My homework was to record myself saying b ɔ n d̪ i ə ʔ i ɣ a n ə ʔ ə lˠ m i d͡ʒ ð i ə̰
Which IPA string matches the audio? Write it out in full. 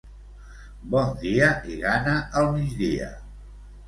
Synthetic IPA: b ɔ n d̪ i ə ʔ i ɣ a n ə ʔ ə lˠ m i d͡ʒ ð i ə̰